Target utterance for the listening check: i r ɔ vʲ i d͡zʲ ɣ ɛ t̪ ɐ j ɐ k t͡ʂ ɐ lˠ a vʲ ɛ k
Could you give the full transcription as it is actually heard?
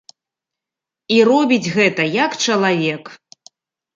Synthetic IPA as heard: i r ɔ bʲ i d͡zʲ ɣ ɛ t̪ ɐ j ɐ k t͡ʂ ɐ lˠ a vʲ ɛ k